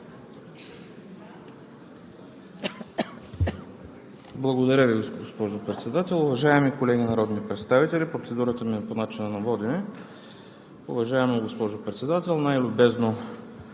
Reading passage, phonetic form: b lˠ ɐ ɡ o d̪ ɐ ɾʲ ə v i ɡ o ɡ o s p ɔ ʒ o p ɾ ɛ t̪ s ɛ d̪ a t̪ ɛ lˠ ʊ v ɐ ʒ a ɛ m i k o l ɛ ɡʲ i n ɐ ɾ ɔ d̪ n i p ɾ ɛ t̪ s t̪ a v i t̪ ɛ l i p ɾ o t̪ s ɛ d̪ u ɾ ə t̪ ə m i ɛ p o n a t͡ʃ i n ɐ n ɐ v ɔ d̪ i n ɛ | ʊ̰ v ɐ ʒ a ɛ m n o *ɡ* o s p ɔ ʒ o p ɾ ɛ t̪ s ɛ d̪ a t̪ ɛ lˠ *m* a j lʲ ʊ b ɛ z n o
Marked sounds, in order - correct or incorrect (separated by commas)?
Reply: correct, incorrect